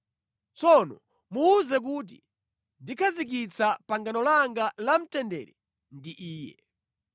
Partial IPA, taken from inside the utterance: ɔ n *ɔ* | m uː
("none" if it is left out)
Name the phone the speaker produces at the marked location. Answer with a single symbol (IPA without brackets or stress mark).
ɔ